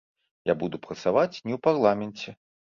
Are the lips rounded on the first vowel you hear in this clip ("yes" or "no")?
no